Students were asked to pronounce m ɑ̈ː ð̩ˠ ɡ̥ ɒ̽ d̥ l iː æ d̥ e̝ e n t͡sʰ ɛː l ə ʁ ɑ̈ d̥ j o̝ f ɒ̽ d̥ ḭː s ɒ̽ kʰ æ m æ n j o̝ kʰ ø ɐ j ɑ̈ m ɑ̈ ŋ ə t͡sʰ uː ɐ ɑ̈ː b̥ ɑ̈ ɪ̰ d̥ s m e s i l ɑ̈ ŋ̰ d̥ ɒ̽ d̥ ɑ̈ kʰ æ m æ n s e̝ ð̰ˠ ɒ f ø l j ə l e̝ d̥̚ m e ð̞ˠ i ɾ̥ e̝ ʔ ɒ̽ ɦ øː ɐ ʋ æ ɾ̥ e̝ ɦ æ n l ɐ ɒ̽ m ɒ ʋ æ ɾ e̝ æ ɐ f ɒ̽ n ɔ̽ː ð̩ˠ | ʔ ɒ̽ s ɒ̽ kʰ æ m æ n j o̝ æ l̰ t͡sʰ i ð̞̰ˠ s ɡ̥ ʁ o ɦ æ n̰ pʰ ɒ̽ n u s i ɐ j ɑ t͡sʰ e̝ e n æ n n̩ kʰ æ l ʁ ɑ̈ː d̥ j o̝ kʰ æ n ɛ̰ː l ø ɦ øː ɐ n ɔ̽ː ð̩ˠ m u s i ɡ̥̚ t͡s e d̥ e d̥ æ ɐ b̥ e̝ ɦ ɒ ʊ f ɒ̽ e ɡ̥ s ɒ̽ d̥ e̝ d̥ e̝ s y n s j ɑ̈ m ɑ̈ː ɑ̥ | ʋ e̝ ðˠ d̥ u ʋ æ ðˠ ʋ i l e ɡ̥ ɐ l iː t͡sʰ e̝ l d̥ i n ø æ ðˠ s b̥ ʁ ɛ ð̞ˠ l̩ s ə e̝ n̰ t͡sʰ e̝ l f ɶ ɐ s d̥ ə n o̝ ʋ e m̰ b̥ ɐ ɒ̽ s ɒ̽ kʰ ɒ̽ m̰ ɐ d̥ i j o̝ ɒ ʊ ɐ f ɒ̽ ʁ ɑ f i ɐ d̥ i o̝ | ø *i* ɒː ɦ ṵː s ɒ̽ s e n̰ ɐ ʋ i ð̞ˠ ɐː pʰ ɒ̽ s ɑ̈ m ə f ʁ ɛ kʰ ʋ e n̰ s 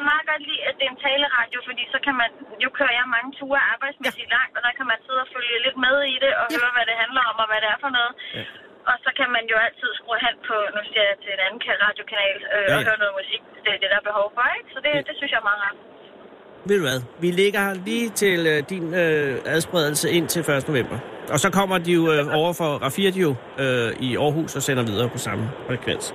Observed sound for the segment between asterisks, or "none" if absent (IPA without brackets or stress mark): i